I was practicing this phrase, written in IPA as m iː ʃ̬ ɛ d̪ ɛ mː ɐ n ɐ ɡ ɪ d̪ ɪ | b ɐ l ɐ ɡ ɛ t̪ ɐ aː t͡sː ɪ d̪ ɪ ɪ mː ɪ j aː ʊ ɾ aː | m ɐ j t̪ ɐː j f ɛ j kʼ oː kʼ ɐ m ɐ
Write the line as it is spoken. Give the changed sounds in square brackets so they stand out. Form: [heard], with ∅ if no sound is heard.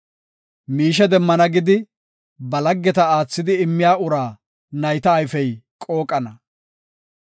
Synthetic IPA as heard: m iː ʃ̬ ɛ d̪ ɛ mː ɐ n ɐ ɡ ɪ d̪ ɪ | b ɐ l ɐ [ɡː] ɛ t̪ ɐ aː t͡sː ɪ d̪ ɪ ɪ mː ɪ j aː ʊ ɾ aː | [n] ɐ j t̪ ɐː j f ɛ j kʼ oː kʼ ɐ [n] ɐ

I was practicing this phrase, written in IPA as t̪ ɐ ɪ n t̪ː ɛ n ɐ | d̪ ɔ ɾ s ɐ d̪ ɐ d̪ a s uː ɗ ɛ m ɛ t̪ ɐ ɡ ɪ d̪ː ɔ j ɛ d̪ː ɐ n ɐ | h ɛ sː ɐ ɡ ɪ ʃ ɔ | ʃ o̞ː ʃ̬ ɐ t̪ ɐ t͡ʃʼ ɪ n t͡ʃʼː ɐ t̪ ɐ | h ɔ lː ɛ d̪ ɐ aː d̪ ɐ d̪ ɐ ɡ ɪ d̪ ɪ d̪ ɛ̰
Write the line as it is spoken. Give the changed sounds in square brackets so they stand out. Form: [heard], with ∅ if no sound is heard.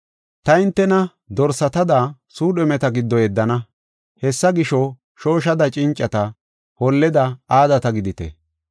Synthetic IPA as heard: t̪ ɐ ɪ n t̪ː ɛ n ɐ | d̪ ɔ ɾ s ɐ [t̪] ɐ d̪ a s uː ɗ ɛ m ɛ t̪ ɐ ɡ ɪ d̪ː ɔ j ɛ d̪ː ɐ n ɐ | h ɛ sː ɐ ɡ ɪ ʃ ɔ | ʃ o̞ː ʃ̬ ɐ [d̪] ɐ t͡ʃʼ ɪ n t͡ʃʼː ɐ t̪ ɐ | h ɔ lː ɛ d̪ ɐ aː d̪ ɐ [t̪] ɐ ɡ ɪ d̪ ɪ [t̪] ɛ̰

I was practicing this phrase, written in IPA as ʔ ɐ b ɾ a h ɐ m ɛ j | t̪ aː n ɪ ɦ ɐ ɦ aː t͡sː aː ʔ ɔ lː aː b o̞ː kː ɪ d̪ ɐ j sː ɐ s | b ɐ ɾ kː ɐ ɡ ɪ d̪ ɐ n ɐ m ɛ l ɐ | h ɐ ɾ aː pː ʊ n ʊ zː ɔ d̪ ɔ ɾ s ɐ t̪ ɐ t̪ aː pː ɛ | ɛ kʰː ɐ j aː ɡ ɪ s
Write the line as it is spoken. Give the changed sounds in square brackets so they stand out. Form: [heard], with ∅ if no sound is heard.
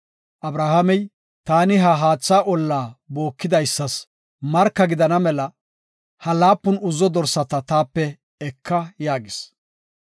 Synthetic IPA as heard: ʔ ɐ b ɾ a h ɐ m ɛ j | t̪ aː n ɪ ɦ ɐ ɦ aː t͡sː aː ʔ ɔ lː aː b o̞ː kː ɪ d̪ ɐ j sː ɐ s | [m] ɐ ɾ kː ɐ ɡ ɪ d̪ ɐ n ɐ m ɛ l ɐ | h ɐ [l] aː pː ʊ n ʊ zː ɔ d̪ ɔ ɾ s ɐ t̪ ɐ t̪ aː pː ɛ | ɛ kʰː ɐ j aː ɡ ɪ s

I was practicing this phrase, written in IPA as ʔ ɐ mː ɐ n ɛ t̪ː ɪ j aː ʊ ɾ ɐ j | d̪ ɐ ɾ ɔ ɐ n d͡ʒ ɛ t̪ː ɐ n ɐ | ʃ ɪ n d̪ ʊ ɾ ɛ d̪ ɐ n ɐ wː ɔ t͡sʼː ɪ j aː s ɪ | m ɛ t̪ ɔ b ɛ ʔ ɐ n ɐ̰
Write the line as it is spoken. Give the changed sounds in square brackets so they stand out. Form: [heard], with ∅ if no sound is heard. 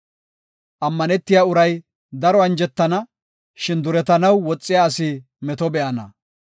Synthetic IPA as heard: ʔ ɐ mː ɐ n ɛ t̪ː ɪ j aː ʊ ɾ ɐ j | d̪ ɐ ɾ ɔ ɐ n d͡ʒ ɛ t̪ː ɐ n ɐ | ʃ ɪ n d̪ ʊ ɾ ɛ [t̪] ɐ n ɐ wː ɔ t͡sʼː ɪ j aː s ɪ | m ɛ t̪ ɔ b ɛ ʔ ɐ n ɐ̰

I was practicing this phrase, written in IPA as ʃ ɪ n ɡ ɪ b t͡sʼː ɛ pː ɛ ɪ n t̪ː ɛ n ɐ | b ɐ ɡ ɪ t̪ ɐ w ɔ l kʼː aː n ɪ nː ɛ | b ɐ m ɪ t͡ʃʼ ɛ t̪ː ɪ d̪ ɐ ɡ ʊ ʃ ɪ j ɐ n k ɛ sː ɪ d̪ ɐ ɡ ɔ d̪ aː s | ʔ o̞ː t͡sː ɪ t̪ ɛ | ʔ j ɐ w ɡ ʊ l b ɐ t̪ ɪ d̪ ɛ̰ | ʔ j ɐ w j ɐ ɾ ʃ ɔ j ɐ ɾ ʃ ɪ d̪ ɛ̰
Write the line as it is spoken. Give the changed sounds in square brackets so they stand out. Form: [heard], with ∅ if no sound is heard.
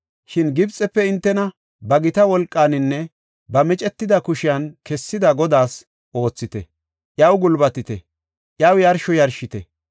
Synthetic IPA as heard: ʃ ɪ n ɡ ɪ b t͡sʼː ɛ pː ɛ ɪ n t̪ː ɛ n ɐ | b ɐ ɡ ɪ t̪ ɐ w ɔ l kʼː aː n ɪ nː ɛ | b ɐ m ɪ t͡ʃʼ ɛ t̪ː ɪ d̪ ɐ [k] ʊ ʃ ɪ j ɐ n k ɛ sː ɪ d̪ ɐ ɡ ɔ d̪ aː s | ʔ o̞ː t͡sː ɪ t̪ ɛ | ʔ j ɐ w ɡ ʊ l b ɐ t̪ ɪ [t̪] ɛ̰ | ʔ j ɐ w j ɐ ɾ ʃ ɔ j ɐ ɾ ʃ ɪ [t̪] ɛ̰

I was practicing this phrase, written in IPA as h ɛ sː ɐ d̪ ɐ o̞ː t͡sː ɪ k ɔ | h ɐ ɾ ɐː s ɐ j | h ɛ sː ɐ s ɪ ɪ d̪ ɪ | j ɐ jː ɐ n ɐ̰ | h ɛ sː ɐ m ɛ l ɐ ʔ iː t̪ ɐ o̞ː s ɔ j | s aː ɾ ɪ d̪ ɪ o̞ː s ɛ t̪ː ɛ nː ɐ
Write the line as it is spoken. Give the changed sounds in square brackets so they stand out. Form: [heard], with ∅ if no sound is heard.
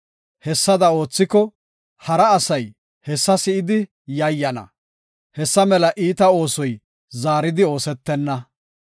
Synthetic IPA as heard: h ɛ sː ɐ d̪ ɐ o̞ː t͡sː ɪ k ɔ | h ɐ ɾ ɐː s ɐ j | h ɛ sː ɐ s ɪ ɪ d̪ ɪ | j ɐ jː ɐ n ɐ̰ | h ɛ sː ɐ m ɛ l ɐ ʔ iː t̪ ɐ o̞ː s ɔ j | [z] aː ɾ ɪ d̪ ɪ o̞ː s ɛ t̪ː ɛ nː ɐ

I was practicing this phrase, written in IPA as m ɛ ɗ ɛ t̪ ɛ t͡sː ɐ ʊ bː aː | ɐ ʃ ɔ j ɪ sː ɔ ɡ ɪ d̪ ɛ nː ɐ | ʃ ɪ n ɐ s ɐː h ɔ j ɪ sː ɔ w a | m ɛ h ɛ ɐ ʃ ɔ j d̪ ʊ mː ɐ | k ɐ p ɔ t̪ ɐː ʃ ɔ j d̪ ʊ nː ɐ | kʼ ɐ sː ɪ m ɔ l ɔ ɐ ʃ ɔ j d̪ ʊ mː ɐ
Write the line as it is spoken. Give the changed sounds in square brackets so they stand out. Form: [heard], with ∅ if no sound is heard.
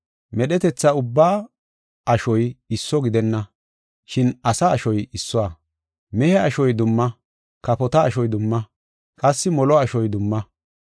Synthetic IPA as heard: m ɛ ɗ ɛ t̪ ɛ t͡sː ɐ ʊ bː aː | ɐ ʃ ɔ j ɪ sː ɔ ɡ ɪ d̪ ɛ nː ɐ | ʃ ɪ n ɐ s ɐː [ʃ] ɔ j ɪ sː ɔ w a | m ɛ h ɛ ɐ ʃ ɔ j d̪ ʊ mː ɐ | k ɐ p ɔ t̪ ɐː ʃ ɔ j d̪ ʊ [mː] ɐ | kʼ ɐ sː ɪ m ɔ l ɔ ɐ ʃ ɔ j d̪ ʊ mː ɐ

